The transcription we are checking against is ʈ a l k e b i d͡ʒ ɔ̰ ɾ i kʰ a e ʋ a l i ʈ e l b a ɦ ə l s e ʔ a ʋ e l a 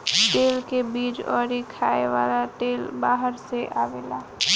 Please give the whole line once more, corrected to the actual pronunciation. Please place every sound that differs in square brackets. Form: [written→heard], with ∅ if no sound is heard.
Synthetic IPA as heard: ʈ [a→e] l k e b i d͡ʒ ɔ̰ ɾ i kʰ a e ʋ a l [i→a] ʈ e l b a ɦ ə [l→ɾ] s e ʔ a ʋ e l a